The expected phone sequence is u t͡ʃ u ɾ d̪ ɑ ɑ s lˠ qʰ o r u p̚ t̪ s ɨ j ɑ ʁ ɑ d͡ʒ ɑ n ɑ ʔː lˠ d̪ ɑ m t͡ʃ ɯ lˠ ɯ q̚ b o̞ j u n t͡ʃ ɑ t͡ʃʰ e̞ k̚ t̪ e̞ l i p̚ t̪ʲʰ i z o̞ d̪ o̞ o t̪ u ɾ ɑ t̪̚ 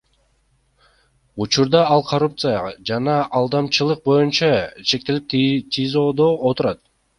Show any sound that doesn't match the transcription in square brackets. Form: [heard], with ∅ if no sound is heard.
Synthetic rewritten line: u t͡ʃ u ɾ d̪ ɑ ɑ [∅] lˠ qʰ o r u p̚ t̪ s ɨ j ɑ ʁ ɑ d͡ʒ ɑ n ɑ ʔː lˠ d̪ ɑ m t͡ʃ ɯ lˠ ɯ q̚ b o̞ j u n t͡ʃ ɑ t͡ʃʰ e̞ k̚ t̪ e̞ l i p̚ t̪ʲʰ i z o̞ d̪ o̞ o t̪ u ɾ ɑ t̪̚